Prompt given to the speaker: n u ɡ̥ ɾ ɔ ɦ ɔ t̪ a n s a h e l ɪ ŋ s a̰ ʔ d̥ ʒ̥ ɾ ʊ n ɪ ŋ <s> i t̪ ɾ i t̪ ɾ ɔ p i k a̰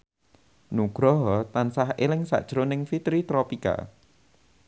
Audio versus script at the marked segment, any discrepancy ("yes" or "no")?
yes